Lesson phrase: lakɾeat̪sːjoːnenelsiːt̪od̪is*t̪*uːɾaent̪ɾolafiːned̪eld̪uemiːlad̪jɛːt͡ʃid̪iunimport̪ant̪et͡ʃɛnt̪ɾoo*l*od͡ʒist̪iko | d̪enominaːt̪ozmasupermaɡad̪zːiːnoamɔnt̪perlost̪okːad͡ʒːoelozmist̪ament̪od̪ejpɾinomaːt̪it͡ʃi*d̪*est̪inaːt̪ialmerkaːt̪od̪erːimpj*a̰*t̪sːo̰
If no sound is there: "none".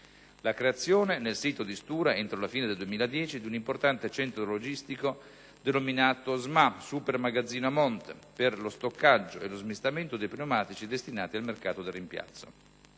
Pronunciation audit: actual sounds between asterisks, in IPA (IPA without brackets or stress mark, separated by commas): t̪, l, d̪, a̰